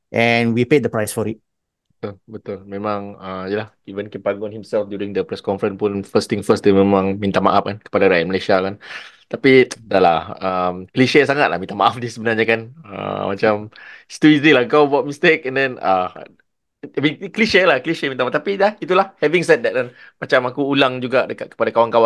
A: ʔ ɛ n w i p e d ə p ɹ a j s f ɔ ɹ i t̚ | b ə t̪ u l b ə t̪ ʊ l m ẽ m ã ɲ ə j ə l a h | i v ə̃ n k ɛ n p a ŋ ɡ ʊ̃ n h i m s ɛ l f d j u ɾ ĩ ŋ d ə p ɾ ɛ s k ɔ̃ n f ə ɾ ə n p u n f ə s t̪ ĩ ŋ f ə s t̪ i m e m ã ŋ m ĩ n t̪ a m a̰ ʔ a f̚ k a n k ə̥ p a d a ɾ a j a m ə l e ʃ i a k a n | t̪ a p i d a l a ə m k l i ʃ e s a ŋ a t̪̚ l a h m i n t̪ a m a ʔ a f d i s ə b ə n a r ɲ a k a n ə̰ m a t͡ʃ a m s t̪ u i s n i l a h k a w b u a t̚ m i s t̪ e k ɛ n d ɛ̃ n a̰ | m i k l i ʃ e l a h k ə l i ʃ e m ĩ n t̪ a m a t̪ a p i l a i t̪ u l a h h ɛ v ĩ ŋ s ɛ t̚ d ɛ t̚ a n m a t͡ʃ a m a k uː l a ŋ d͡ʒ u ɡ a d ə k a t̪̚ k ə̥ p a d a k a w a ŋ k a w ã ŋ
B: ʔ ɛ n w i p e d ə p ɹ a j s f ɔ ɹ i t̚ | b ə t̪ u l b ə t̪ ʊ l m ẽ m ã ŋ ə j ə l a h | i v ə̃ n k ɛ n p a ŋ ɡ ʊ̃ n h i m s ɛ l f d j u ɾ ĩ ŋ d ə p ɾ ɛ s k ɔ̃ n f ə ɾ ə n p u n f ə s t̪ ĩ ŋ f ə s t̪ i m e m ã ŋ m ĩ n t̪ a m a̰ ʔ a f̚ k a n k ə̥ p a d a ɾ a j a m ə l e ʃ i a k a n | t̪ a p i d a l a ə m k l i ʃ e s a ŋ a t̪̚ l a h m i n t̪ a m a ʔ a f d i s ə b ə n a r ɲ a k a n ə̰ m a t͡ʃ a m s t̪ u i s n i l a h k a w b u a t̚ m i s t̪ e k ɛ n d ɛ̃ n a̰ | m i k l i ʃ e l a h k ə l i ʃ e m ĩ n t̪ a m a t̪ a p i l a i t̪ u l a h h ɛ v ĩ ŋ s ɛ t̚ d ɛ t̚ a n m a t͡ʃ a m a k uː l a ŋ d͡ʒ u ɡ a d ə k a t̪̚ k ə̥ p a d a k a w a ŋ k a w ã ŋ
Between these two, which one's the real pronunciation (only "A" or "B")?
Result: B